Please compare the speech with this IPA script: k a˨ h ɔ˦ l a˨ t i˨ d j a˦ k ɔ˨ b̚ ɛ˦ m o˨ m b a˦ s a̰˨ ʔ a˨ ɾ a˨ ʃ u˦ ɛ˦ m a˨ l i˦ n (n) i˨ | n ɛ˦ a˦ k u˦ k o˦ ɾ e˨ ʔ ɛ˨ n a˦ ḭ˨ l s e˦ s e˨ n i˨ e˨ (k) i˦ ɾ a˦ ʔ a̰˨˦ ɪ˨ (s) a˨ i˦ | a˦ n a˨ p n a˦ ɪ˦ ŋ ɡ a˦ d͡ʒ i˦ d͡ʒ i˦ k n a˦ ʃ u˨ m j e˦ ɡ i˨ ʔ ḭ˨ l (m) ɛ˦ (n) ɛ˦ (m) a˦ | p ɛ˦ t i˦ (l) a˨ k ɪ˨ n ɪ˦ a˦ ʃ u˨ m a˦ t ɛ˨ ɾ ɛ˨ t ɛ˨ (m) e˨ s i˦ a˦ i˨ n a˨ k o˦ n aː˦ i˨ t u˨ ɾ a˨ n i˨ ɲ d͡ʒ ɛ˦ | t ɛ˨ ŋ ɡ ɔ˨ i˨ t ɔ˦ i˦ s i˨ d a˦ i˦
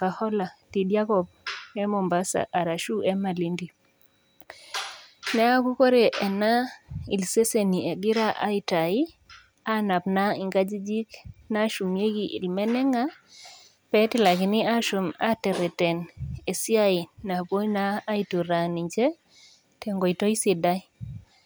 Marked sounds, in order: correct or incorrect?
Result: incorrect: d, incorrect: ɡ, incorrect: t, correct, correct, incorrect: ŋ, correct, incorrect: n

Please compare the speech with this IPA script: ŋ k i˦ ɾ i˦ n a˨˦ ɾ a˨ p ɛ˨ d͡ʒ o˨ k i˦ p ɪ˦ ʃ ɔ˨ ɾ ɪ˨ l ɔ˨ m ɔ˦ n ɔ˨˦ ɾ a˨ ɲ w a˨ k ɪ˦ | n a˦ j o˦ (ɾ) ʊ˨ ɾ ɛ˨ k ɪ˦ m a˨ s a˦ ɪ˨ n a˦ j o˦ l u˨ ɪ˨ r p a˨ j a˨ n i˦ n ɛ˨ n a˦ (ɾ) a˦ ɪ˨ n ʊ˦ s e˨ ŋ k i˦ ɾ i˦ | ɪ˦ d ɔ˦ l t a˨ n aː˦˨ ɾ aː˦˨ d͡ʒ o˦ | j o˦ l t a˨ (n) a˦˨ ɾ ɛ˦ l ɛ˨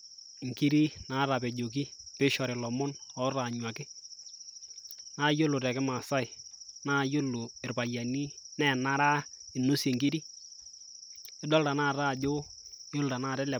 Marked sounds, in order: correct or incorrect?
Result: incorrect: l, correct, correct

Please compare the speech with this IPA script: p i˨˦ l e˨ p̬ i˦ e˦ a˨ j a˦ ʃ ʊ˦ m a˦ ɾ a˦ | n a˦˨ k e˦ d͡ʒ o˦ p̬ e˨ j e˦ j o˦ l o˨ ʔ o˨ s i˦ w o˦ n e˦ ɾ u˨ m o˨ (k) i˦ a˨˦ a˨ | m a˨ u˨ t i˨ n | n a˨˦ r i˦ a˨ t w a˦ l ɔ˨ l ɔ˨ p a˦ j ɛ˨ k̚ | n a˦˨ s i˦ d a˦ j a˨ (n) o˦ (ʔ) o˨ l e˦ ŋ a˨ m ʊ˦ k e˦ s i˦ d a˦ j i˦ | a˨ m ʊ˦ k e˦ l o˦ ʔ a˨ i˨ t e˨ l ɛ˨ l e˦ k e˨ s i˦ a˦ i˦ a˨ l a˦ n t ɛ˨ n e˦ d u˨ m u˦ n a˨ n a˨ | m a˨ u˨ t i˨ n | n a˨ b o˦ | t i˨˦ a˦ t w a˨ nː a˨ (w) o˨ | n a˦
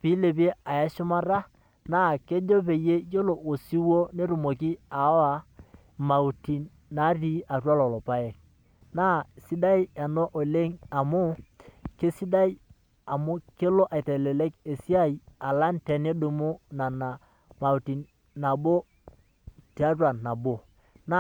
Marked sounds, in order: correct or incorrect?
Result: correct, correct, correct, incorrect: b

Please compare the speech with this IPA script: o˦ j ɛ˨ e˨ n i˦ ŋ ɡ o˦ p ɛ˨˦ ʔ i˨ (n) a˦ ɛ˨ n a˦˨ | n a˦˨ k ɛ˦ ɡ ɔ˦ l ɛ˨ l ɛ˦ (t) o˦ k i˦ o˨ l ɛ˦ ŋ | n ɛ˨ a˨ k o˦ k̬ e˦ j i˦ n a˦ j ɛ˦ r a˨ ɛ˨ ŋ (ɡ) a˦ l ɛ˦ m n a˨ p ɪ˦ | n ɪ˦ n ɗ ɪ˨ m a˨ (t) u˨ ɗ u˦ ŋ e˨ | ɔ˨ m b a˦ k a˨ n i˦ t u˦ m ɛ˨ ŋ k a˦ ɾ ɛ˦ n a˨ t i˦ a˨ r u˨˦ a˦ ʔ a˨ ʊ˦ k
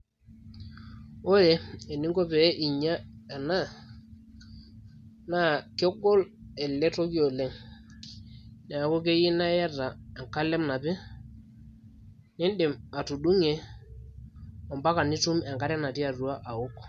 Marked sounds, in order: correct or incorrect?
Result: incorrect: ɲ, correct, incorrect: k, correct

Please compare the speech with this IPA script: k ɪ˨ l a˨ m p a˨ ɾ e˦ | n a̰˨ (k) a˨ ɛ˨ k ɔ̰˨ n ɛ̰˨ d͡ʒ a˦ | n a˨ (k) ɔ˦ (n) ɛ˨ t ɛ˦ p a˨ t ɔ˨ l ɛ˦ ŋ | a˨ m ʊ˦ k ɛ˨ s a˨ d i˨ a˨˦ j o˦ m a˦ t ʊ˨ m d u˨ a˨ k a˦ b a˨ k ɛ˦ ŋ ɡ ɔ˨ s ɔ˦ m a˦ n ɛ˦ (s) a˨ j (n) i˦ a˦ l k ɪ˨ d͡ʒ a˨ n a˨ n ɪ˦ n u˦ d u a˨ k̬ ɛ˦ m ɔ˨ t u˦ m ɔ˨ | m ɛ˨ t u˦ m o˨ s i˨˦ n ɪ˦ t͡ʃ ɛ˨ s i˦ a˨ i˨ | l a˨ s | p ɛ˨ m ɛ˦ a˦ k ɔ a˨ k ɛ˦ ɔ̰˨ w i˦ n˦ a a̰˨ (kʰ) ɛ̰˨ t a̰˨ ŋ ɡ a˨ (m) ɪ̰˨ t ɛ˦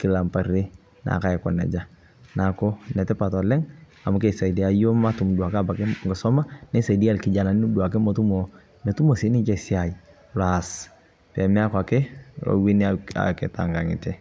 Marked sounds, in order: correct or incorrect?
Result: correct, correct, correct, correct, incorrect: d, incorrect: k, incorrect: ŋ

